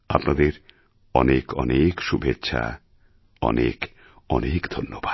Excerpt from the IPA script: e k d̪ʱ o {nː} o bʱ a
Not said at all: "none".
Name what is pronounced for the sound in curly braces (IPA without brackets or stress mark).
nː